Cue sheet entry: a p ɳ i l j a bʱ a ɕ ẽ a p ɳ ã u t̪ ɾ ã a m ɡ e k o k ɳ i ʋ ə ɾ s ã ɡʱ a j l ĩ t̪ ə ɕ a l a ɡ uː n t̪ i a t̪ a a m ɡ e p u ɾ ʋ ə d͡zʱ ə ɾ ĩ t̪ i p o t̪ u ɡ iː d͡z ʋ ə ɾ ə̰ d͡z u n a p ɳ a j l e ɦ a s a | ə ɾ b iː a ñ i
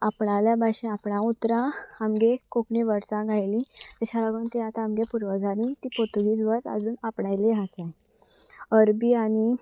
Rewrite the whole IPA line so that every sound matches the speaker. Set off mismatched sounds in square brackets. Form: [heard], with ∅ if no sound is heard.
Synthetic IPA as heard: a p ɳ [a] l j a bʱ a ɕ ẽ a p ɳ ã u t̪ ɾ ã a m ɡ e k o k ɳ i ʋ ə ɾ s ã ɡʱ a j l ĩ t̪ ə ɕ a l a ɡ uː n t̪ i a t̪ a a m ɡ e p u ɾ ʋ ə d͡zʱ [a] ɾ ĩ t̪ i p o t̪ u ɡ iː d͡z ʋ ə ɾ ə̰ d͡z [uː] n a p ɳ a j l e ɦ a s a | ə ɾ b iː a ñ i

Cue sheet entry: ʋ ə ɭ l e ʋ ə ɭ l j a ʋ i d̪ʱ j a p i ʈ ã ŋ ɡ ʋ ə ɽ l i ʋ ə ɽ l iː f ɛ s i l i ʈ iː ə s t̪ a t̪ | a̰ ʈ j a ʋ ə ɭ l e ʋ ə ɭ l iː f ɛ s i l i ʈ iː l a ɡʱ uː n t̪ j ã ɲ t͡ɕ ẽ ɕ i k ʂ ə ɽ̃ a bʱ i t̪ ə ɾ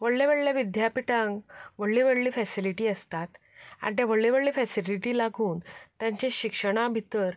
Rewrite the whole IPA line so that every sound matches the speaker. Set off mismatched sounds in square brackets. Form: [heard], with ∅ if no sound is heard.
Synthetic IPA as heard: ʋ ə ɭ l e ʋ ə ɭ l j a ʋ i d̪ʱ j a p i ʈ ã ŋ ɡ ʋ ə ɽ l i ʋ ə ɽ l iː f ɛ s i l i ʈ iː ə s t̪ a t̪ | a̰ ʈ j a ʋ ə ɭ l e ʋ ə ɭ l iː f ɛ s i l i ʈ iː l a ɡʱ uː n t̪ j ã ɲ t͡ɕ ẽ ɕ i k ʂ ə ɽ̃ a bʱ i t̪ ə ɾ

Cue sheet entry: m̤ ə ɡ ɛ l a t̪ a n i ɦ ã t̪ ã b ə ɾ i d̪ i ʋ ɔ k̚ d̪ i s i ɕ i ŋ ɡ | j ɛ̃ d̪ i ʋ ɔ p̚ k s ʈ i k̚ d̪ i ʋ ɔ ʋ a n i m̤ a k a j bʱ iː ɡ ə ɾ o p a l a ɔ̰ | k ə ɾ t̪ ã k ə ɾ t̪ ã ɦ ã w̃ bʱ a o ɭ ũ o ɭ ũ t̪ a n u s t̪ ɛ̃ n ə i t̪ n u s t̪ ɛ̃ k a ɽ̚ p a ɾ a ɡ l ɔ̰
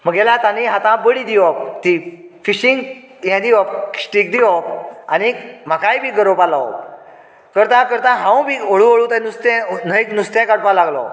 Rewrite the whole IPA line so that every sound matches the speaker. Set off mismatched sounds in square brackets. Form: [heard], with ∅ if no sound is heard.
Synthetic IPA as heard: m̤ ə ɡ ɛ l a t̪ a n i ɦ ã t̪ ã b ə [ɽ] i d̪ i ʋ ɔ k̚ [t̪] i [f] i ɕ i ŋ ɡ | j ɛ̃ d̪ i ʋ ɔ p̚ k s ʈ i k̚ d̪ i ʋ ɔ [∅] a n i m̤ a k a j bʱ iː ɡ ə ɾ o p a l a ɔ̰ | k ə ɾ t̪ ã k ə ɾ t̪ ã ɦ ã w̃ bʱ [i] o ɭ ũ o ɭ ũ t̪ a n u s t̪ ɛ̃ n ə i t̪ n u s t̪ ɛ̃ k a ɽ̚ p a [l] a ɡ l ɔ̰

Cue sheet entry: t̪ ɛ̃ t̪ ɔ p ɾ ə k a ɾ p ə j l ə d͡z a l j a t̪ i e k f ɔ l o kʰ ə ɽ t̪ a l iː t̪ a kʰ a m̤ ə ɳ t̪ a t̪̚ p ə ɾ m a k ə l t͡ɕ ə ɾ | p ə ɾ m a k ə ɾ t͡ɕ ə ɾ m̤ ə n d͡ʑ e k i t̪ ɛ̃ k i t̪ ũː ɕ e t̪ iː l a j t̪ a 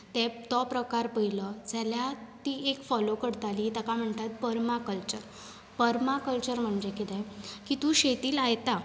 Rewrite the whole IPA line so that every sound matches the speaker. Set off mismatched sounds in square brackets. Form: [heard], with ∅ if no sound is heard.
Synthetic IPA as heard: t̪ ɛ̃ t̪ ɔ p ɾ ə k a ɾ p ə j l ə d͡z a l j a t̪ i e k f ɔ l o [k] ə ɽ t̪ a l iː t̪ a [k] a m̤ ə ɳ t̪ a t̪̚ p ə ɾ m a k ə l t͡ɕ ə ɾ | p ə ɾ m a k ə [l] t͡ɕ ə ɾ m̤ ə [ɳ] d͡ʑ e k i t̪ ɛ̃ k i t̪ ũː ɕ e t̪ iː l a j t̪ a

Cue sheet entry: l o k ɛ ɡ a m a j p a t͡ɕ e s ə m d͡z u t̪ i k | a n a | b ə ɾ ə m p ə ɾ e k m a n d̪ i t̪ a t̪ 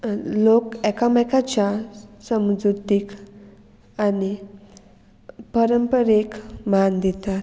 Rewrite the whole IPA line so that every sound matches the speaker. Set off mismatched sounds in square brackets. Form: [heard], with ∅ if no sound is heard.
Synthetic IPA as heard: l o k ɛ [k] a m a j [k] a t͡ɕ [a] s ə m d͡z u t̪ i k | a n [i] | [p] ə ɾ ə m p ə ɾ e k m a n d̪ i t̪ a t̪

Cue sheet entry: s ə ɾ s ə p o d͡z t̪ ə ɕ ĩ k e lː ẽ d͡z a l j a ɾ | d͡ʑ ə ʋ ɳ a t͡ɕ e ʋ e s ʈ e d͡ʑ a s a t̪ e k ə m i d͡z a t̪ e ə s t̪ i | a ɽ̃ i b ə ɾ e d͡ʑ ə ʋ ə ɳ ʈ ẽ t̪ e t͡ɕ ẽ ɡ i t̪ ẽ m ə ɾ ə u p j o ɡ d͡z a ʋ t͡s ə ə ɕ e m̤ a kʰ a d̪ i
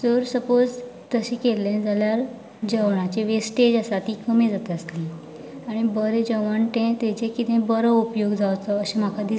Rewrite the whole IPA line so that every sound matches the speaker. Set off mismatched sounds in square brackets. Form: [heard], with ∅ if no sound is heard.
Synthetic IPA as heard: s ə ɾ s ə p o d͡z t̪ ə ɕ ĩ k e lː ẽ d͡z a l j a ɾ | d͡ʑ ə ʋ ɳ a t͡ɕ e ʋ e s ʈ e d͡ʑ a s a t̪ [i] k ə m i d͡z a t̪ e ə s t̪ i | a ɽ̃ i b ə ɾ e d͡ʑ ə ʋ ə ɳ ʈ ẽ t̪ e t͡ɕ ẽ [k] i t̪ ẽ [b] ə ɾ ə u p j o ɡ d͡z a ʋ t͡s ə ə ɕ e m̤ a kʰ a d̪ i

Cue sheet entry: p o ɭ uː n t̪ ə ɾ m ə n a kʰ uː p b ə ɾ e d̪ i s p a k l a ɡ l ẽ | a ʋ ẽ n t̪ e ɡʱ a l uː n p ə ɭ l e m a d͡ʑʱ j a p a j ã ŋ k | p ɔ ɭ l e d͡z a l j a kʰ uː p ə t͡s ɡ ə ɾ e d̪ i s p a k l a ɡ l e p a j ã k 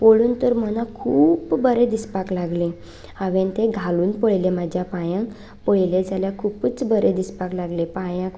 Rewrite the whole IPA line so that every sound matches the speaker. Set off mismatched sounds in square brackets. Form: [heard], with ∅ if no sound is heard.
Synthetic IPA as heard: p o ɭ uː n t̪ ə ɾ m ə n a kʰ uː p b ə ɾ e d̪ i s p a k l a ɡ l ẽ | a ʋ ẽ n t̪ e ɡʱ a l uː n p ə ɭ l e m a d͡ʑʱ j a p a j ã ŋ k | p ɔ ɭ l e d͡z a l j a kʰ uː p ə t͡s [b] ə ɾ e d̪ i s p a k l a ɡ l e p a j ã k

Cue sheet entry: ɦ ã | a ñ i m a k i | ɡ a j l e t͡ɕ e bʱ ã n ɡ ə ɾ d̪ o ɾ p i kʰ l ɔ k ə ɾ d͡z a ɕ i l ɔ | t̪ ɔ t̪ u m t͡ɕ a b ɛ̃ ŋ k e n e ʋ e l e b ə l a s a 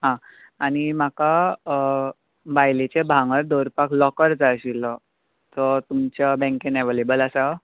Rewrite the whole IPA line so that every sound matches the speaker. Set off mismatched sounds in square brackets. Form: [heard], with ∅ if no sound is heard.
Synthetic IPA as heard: ɦ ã | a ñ i m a k [a] | [b] a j l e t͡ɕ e bʱ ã [ŋ] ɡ ə ɾ d̪ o ɾ p [a] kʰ l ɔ k ə ɾ d͡z a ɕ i l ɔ | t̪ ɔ t̪ u m t͡ɕ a b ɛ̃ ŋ k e n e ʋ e l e b ə l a s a

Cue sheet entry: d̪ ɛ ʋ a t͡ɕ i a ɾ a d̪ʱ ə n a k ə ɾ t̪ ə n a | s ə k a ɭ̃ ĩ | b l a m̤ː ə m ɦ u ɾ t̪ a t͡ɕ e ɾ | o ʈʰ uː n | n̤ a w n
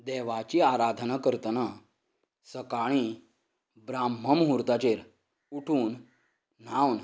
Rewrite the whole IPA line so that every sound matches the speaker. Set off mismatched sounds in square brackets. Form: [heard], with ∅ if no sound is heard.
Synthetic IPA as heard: d̪ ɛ ʋ a t͡ɕ i a ɾ a d̪ʱ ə n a k ə ɾ t̪ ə n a | s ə k a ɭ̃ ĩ | b [ɾ] a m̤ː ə m ɦ u ɾ t̪ a t͡ɕ e ɾ | [u] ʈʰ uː n | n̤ a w n

